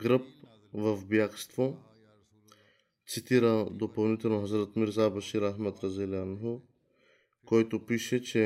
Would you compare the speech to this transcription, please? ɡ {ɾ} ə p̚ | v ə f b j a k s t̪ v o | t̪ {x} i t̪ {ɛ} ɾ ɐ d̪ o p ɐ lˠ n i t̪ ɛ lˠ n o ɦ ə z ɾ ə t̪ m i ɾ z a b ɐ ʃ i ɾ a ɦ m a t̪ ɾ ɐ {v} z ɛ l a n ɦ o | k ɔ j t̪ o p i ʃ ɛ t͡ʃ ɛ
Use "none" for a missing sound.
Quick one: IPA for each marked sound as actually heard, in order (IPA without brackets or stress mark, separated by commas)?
ɾ, s, i, none